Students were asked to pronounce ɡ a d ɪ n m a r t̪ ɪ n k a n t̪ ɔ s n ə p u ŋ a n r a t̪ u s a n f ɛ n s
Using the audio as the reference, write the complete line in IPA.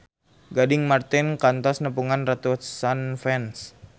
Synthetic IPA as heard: ɡ a d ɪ ŋ m a r t̪ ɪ n k a n t̪ ɔ s n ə p u ŋ a n r a t̪ u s a n f ɛ n s